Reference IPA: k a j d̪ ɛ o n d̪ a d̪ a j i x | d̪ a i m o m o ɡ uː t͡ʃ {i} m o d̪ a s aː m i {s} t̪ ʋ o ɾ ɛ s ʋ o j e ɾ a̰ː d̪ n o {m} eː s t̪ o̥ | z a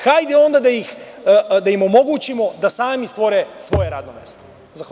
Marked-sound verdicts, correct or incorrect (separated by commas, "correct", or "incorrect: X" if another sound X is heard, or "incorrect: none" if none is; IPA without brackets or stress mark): correct, correct, correct